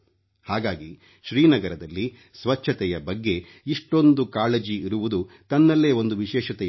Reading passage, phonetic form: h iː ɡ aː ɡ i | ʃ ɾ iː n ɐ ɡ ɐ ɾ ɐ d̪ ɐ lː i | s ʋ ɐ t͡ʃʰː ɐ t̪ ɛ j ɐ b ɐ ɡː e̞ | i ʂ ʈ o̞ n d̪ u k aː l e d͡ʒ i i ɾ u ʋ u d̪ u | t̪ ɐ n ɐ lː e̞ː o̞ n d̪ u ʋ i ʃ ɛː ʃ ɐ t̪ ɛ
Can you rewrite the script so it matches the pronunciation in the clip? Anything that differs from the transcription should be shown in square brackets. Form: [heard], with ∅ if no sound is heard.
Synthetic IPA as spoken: h [aː] ɡ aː ɡ i | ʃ ɾ iː n ɐ ɡ ɐ ɾ ɐ d̪ ɐ lː i | s ʋ ɐ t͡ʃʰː ɐ t̪ ɛ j ɐ b ɐ ɡː e̞ | i ʂ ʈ o̞ n d̪ u k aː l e d͡ʒ i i ɾ u ʋ u d̪ u | t̪ ɐ [nː] ɐ lː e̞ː o̞ n d̪ u ʋ i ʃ ɛː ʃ ɐ t̪ ɛ